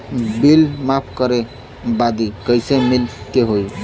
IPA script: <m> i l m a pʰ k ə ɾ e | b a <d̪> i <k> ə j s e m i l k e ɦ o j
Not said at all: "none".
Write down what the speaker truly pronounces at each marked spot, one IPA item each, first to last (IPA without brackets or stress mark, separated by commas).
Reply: b, d̪, k